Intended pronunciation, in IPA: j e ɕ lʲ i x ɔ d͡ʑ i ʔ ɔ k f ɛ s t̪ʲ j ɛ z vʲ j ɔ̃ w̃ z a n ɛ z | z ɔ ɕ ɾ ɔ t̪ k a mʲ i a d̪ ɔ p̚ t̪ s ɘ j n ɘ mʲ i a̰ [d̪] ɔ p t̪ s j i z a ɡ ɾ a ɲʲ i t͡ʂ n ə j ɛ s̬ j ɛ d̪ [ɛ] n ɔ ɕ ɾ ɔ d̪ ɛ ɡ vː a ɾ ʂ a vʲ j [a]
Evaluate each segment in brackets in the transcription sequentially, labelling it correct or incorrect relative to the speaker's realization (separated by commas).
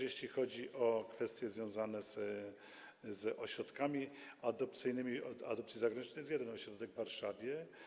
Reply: correct, correct, incorrect